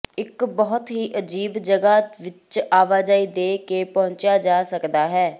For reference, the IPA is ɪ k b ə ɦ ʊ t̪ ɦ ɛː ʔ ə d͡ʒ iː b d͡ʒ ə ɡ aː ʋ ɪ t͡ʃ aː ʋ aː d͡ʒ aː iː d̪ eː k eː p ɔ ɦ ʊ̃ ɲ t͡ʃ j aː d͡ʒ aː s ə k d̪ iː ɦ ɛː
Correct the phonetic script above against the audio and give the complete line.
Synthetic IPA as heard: ɪ k b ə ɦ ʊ t̪ ɦ iː ʔ ə d͡ʒ iː b d͡ʒ ə ɡ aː ʋ ɪ t͡ʃ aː ʋ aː d͡ʒ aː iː d̪ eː k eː p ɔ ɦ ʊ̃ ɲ t͡ʃ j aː d͡ʒ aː s ə k d̪ aː ɦ ɛː